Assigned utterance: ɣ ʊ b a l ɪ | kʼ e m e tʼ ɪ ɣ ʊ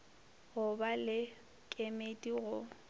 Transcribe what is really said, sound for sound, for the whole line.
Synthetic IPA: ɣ ʊ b a l ɪ | kʼ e m e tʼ i ɣ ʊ